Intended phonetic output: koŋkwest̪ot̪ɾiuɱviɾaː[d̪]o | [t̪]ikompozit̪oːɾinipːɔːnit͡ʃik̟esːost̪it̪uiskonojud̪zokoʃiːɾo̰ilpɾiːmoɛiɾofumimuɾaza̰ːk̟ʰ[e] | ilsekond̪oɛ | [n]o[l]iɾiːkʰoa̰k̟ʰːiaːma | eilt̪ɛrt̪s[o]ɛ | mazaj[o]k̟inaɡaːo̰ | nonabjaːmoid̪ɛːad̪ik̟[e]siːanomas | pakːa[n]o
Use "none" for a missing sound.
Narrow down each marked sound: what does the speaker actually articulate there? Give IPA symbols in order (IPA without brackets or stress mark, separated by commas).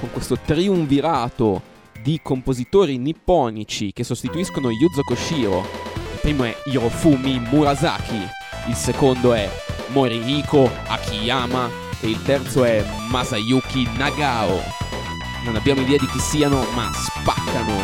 t̪, d̪, i, m, ɾ, o, u, i, n